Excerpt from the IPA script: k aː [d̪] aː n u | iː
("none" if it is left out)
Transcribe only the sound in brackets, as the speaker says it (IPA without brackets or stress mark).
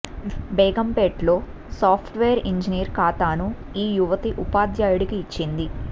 t̪